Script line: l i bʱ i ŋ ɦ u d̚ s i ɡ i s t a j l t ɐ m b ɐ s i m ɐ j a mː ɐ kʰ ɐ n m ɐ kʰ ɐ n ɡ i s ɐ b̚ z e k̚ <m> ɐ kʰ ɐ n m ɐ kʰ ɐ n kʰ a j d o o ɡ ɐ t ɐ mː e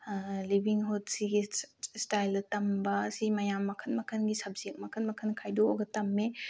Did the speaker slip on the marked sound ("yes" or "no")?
no